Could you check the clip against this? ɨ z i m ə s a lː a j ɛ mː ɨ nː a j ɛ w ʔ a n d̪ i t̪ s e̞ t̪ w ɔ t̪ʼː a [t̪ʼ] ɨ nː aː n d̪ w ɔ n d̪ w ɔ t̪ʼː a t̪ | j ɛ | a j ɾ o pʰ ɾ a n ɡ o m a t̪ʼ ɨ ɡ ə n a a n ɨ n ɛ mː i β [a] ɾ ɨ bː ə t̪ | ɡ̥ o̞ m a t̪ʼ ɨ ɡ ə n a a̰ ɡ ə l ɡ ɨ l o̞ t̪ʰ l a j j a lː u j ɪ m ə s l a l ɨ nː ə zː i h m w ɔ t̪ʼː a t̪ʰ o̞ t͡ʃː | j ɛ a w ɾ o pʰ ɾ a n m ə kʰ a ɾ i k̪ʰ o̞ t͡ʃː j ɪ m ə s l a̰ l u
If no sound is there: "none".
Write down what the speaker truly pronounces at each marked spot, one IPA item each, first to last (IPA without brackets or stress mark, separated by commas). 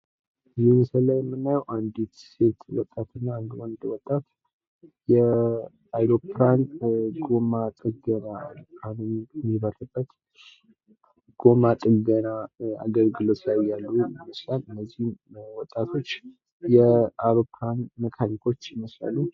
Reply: t̪, ə